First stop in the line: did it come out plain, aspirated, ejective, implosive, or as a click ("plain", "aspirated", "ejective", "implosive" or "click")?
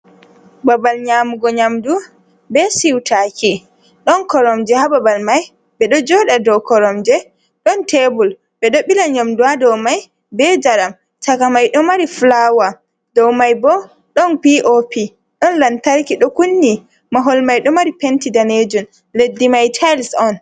plain